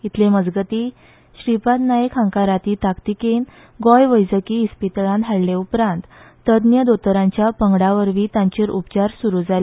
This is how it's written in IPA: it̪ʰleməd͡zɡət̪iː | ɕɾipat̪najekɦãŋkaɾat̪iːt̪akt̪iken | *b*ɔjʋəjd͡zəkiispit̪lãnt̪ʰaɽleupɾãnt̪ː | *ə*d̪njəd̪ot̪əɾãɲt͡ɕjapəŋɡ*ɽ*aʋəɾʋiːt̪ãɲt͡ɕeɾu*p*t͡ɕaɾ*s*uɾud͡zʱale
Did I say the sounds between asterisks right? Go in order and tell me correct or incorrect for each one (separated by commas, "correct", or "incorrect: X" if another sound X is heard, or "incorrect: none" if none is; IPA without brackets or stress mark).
incorrect: ɡ, correct, correct, correct, correct